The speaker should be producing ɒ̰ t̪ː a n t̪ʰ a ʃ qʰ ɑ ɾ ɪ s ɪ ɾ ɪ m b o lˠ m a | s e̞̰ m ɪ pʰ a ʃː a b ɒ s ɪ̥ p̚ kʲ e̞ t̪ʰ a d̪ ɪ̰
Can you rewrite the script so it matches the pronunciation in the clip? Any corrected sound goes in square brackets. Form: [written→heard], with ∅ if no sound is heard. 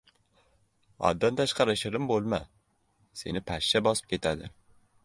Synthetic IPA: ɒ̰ [t̪ː→d̪ː] a n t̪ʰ a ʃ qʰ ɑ ɾ ɪ [s→ʃ] ɪ ɾ ɪ m b o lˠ m a | s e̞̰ [m→n] ɪ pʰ a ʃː a b ɒ s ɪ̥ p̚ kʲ e̞ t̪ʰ a d̪ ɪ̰